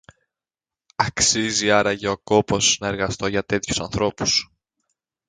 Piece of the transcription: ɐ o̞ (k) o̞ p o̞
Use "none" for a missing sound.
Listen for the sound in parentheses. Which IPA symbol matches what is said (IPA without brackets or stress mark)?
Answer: k